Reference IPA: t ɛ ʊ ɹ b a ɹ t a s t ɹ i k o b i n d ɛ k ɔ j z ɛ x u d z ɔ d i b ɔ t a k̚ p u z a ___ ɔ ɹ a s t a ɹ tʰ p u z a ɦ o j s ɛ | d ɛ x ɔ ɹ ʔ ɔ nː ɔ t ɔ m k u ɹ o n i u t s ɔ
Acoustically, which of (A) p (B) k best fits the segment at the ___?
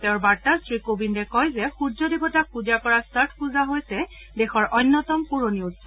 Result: B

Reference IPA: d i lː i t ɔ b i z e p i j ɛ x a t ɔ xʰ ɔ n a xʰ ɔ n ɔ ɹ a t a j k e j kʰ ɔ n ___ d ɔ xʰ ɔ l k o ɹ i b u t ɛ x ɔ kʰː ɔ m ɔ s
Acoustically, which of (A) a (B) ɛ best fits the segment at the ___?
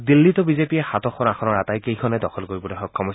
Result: B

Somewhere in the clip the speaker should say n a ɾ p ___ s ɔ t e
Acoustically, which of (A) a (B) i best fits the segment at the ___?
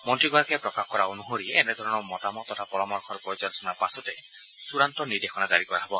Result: A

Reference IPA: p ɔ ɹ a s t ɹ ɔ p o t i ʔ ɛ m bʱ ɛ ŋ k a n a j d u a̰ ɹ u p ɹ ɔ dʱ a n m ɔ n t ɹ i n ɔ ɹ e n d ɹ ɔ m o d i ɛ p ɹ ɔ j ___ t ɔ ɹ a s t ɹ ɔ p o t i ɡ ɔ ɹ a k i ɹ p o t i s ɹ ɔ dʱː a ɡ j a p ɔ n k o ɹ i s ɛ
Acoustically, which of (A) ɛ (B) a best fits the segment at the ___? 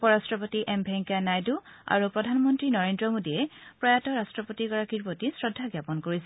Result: B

